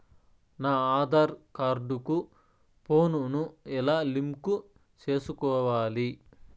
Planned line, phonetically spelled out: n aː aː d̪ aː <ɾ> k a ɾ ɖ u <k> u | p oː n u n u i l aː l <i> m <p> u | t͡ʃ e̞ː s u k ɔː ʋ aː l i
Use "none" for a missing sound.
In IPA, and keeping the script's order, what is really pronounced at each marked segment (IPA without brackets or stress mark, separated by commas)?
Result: ɾ, k, i, k